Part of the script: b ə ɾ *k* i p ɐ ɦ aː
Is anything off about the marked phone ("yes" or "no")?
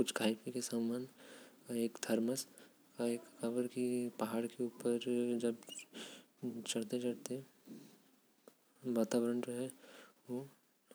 no